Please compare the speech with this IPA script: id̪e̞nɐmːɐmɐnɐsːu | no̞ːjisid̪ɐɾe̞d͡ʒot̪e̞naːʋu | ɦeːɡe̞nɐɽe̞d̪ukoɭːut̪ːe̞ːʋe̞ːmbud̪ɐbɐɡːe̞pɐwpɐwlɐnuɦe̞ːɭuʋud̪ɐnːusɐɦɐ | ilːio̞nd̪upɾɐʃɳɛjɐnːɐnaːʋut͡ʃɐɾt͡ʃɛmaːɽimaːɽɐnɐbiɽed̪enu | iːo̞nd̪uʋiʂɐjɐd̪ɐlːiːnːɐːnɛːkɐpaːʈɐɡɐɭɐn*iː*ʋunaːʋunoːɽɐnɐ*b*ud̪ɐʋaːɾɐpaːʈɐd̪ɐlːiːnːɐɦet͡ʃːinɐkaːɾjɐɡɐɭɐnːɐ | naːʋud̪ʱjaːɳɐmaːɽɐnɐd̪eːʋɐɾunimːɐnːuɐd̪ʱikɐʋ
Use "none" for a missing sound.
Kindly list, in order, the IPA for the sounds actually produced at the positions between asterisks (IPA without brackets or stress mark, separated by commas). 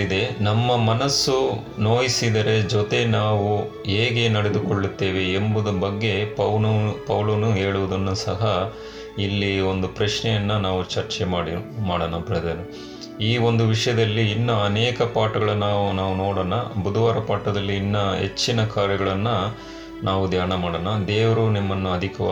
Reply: aː, b